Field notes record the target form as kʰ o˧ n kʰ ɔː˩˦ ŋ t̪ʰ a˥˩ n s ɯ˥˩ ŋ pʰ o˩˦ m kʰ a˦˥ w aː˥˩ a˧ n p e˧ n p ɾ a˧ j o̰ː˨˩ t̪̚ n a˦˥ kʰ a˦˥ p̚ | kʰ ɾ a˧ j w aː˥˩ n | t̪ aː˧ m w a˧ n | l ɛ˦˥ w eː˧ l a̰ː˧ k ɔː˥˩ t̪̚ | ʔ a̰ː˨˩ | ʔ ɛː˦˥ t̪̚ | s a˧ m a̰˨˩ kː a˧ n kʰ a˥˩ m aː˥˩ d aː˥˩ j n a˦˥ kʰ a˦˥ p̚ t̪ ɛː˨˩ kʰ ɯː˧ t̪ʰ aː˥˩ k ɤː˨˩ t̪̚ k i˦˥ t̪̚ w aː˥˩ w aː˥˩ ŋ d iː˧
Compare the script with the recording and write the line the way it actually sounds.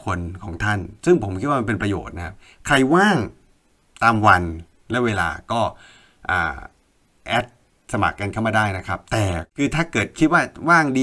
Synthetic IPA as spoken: kʰ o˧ n kʰ ɔː˩˦ ŋ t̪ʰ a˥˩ n s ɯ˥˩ ŋ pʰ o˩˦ m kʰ i˦˥ w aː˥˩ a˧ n p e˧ n p ɾ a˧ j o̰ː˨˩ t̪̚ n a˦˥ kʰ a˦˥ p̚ | kʰ ɾ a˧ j w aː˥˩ ŋ | t̪ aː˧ m w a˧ n | l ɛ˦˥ w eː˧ l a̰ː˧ k ɔː˥˩ | ʔ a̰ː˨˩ | ʔ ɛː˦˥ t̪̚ | s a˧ m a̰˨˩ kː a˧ n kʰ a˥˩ m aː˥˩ d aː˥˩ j n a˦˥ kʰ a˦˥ p̚ t̪ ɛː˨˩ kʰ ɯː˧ t̪ʰ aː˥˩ k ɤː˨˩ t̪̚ kʰ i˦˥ t̪̚ w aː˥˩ w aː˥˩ ŋ d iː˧